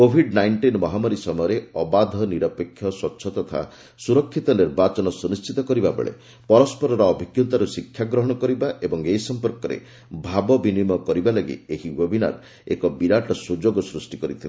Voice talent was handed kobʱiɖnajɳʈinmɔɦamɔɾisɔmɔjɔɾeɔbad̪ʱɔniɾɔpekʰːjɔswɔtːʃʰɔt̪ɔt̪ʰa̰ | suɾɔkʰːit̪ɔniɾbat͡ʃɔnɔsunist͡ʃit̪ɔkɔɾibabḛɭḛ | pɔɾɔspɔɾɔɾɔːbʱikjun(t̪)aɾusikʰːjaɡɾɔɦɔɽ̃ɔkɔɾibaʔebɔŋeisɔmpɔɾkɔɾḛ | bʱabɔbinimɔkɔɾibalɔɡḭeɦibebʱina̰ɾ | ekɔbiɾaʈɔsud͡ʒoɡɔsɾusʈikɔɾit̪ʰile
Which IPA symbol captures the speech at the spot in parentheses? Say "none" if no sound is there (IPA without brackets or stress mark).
t̪